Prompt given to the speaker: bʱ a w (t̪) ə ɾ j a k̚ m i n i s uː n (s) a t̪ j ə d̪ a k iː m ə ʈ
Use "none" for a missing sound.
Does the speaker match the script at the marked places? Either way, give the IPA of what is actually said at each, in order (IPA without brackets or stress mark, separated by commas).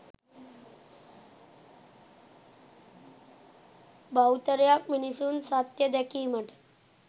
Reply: t̪, s